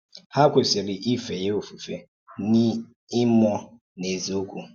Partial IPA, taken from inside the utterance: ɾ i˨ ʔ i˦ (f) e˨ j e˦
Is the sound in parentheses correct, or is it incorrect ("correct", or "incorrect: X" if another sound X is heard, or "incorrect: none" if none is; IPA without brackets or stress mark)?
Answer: correct